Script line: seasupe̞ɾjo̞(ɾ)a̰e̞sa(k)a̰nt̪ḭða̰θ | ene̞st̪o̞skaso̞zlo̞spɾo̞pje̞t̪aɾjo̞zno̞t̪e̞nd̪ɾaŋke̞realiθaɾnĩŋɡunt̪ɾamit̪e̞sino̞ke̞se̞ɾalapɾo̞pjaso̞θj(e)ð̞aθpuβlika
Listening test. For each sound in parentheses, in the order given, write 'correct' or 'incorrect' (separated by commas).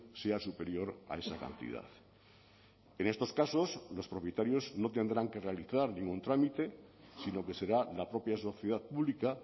correct, correct, correct